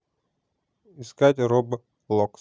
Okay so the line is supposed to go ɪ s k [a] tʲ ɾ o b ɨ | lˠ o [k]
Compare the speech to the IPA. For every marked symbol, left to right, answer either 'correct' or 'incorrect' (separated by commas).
correct, correct